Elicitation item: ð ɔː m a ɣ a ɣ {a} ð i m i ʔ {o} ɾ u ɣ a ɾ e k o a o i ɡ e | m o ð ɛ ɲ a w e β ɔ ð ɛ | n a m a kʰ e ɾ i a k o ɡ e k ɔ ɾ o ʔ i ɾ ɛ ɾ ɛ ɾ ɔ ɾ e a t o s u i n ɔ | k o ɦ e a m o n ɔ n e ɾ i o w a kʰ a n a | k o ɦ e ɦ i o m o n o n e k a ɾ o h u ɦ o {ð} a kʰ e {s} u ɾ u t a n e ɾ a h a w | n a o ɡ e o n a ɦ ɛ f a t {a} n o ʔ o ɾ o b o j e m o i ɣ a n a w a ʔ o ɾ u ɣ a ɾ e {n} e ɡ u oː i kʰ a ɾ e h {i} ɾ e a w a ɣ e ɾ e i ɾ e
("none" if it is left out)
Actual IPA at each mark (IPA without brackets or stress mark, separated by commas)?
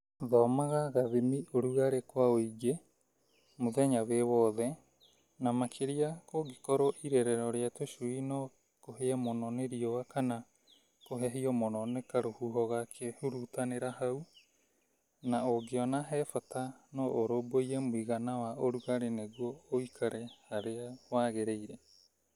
a, o, ɣ, h, a, n, a